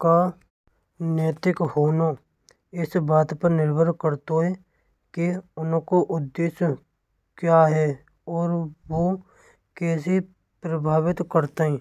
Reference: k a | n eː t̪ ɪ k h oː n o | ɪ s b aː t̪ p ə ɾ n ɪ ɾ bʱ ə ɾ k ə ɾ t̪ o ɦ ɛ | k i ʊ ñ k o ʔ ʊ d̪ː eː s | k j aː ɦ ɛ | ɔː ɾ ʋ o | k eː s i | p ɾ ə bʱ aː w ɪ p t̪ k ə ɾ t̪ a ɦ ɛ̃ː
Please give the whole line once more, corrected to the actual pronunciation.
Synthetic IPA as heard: k a | n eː t̪ ɪ k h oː n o | ɪ s b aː t̪ p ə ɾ n ɪ ɾ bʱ ə ɾ k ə ɾ t̪ o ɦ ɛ | k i ʊ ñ k o ʔ ʊ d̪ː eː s | k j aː ɦ ɛ | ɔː ɾ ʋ o | k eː s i | p ɾ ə bʱ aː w ɪ t̪ k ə ɾ t̪ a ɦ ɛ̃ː